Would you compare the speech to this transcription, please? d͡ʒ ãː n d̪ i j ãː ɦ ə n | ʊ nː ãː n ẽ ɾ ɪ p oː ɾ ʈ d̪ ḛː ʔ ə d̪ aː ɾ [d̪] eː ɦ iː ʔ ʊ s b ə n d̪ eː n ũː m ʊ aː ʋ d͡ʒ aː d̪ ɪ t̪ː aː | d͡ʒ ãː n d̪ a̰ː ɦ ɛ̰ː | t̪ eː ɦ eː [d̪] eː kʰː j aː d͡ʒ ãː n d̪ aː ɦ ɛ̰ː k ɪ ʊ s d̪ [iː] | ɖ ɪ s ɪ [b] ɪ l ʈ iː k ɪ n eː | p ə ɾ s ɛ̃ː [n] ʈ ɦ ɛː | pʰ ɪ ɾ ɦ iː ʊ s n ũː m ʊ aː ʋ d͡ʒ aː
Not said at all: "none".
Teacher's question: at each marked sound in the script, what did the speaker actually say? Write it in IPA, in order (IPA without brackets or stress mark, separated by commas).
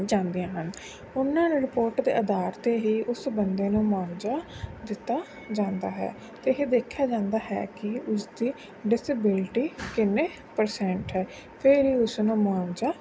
t̪, d̪, iː, b, ɳ